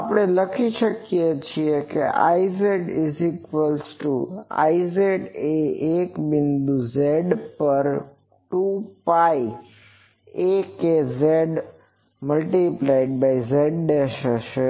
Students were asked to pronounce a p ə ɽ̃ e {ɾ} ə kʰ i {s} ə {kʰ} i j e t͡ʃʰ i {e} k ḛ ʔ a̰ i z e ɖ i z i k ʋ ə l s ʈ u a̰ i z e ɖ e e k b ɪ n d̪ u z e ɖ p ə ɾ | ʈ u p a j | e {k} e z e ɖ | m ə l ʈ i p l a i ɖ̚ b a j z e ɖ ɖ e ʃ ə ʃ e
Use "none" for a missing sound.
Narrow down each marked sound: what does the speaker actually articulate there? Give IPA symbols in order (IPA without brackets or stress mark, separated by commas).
l, ʃ, k, e, k